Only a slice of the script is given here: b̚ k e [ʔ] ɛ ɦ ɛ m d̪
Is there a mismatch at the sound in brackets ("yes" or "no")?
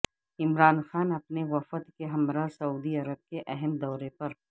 no